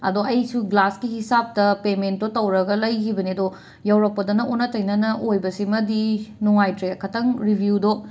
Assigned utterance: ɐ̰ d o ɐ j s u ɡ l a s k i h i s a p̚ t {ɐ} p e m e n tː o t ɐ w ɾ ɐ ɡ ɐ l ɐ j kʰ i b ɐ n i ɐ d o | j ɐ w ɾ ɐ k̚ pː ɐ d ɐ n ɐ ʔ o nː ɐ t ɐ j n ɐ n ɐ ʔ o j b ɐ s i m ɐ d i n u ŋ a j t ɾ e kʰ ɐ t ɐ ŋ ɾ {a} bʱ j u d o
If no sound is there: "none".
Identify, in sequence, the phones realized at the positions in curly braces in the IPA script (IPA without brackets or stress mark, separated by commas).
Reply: ɐ, i